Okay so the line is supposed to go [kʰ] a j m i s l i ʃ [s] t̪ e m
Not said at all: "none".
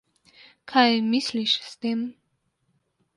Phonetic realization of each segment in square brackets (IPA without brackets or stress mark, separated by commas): kʰ, s